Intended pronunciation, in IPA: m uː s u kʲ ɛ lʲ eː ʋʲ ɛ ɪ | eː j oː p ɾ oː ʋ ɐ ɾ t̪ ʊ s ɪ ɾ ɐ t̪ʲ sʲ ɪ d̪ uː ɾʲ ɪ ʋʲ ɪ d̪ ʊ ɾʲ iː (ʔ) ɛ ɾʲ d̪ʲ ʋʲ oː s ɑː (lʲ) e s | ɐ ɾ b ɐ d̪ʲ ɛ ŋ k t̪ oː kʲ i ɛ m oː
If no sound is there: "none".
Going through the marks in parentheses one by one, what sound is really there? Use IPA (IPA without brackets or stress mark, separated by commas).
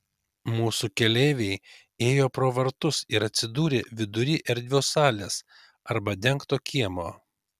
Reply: ʔ, lʲ